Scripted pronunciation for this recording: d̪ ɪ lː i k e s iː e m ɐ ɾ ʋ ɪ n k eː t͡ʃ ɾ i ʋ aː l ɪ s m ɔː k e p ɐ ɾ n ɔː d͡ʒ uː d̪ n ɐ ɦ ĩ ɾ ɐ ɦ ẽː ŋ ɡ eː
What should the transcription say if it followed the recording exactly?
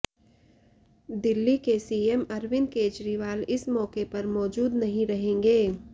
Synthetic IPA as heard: d̪ ɪ lː i k e s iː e m ɐ ɾ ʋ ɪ n k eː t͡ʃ ɾ i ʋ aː l ɪ s m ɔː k e p ɐ ɾ m ɔː d͡ʒ uː d̪ n ɐ ɦ ĩ ɾ ɐ ɦ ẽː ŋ ɡ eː